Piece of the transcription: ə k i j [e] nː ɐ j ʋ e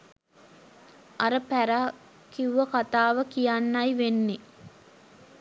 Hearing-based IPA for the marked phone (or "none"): a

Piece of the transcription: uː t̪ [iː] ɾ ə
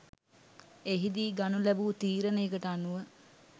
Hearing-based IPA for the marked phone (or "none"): iː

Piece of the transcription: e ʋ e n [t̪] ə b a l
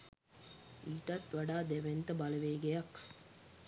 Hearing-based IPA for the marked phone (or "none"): t̪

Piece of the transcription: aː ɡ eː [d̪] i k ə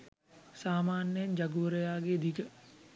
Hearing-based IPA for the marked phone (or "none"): d̪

